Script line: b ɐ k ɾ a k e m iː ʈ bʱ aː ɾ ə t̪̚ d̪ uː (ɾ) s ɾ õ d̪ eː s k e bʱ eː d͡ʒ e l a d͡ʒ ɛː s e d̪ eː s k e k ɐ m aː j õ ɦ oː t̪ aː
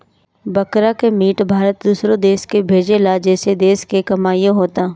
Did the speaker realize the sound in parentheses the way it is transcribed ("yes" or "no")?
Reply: no